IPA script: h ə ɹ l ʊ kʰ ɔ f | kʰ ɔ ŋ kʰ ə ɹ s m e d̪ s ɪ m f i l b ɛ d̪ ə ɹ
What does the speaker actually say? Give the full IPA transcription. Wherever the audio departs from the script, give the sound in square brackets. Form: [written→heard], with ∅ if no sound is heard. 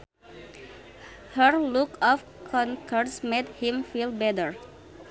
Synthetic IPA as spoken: h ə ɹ l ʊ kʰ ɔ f | kʰ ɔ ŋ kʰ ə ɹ s m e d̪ [s→h] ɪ m f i l b ɛ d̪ ə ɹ